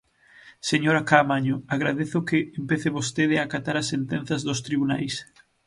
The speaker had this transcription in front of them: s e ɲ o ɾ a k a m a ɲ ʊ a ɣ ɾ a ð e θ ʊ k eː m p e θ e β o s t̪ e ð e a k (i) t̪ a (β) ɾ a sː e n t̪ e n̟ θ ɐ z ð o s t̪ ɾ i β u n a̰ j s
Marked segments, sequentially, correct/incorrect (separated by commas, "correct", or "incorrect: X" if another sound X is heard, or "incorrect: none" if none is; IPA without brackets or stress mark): incorrect: a, incorrect: none